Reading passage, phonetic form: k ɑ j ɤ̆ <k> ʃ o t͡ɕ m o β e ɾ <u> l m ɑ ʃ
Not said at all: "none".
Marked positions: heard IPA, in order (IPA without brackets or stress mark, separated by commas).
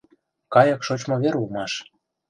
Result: k, u